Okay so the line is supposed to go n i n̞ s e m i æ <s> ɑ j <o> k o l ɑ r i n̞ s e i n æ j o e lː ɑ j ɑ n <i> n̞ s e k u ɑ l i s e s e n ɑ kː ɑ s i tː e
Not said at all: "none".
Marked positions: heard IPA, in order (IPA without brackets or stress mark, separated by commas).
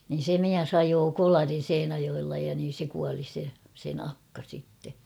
s, oː, iː